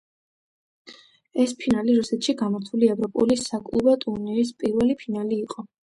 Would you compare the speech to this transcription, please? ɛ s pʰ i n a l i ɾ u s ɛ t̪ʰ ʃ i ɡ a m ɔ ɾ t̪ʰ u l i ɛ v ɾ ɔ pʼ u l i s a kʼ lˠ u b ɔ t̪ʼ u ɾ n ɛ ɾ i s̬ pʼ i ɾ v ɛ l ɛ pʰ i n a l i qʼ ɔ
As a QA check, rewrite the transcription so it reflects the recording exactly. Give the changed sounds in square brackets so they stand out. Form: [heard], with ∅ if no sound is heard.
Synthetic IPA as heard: ɛ s pʰ i n a l i ɾ u s ɛ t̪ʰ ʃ i ɡ a m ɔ ɾ t̪ʰ u l i ɛ v ɾ ɔ pʼ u l i s a kʼ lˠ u b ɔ t̪ʼ u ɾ n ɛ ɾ i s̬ pʼ i ɾ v ɛ l [i] pʰ i n a l [iː] qʼ ɔ